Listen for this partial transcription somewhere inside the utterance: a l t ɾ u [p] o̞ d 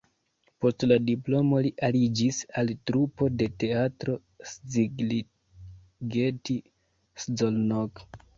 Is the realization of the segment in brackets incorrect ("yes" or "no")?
no